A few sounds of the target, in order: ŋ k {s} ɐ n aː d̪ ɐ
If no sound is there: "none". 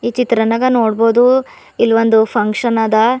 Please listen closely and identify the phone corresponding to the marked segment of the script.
ʂ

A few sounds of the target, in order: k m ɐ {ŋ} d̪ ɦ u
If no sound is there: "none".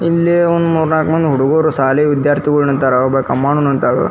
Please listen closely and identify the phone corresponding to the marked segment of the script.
n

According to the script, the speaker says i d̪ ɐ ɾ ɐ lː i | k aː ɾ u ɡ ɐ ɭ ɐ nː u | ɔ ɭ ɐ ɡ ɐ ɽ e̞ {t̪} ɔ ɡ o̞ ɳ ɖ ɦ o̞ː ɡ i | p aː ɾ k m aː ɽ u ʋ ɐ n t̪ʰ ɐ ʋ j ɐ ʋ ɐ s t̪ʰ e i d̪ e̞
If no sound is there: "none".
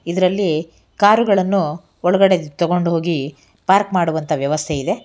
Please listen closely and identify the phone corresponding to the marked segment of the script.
t̪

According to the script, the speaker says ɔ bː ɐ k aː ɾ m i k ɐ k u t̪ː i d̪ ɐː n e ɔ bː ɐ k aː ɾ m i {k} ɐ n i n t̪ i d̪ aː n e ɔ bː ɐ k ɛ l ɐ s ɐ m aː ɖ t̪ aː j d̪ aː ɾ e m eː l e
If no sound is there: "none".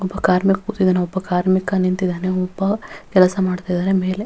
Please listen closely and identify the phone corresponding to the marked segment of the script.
k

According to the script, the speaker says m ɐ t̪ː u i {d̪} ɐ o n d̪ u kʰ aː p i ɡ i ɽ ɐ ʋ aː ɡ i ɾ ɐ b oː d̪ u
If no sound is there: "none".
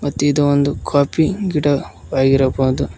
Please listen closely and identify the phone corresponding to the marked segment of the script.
d̪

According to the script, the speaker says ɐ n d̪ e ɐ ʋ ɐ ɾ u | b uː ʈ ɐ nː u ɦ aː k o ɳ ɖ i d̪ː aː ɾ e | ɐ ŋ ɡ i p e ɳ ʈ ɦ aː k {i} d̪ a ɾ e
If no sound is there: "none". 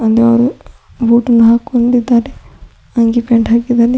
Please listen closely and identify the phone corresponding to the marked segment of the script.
i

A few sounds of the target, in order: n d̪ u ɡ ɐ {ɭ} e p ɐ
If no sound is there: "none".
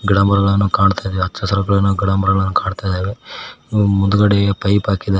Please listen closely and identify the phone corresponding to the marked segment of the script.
ɽ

